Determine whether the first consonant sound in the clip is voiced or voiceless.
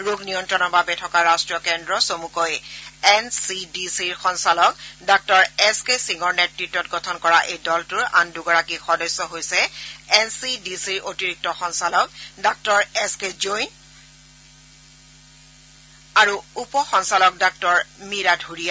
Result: voiced